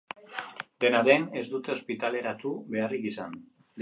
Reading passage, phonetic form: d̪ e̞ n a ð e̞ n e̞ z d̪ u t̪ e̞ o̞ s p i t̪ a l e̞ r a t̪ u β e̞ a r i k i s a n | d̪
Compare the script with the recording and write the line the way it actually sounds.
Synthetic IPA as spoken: d̪ e̞ n a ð e̞ n e̞ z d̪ u t̪ e̞ o̞ s p i t̪ a l e̞ ɾ a t̪ u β e̞ a r i k i s a n | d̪